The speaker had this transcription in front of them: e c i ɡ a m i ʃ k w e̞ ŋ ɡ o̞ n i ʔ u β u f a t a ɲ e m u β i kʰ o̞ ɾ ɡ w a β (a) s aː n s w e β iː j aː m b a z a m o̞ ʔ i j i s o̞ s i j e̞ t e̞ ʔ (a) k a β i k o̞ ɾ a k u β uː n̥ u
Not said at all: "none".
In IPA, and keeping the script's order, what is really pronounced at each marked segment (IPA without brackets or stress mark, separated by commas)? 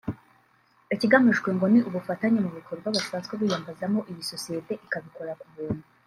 a, i